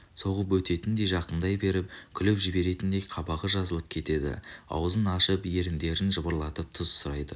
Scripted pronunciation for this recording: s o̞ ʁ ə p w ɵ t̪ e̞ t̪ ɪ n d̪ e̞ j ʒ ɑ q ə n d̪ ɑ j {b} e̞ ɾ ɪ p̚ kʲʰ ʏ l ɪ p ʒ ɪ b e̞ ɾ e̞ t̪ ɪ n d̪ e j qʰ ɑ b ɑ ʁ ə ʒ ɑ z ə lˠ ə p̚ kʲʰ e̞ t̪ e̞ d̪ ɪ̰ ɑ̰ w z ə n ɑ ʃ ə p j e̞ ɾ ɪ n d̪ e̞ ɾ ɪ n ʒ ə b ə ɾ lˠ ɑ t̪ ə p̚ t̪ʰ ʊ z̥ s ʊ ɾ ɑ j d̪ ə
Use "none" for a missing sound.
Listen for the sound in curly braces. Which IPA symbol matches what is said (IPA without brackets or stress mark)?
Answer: b